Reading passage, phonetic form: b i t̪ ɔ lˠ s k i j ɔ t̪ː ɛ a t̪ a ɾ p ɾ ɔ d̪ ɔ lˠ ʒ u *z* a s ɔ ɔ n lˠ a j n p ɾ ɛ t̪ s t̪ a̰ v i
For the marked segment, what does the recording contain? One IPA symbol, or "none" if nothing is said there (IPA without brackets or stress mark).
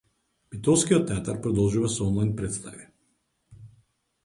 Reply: v